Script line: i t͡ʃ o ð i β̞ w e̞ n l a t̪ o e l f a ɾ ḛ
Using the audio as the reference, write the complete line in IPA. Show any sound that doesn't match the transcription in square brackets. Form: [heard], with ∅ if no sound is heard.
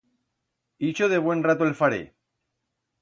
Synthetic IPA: i t͡ʃ o ð [e] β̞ w e̞ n [r] a t̪ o e l f a ɾ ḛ